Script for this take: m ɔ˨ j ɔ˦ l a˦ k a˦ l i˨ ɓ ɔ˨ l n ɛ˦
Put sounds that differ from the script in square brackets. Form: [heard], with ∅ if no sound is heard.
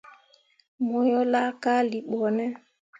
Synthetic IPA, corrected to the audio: m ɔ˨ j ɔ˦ l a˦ k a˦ l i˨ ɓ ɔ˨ [∅] n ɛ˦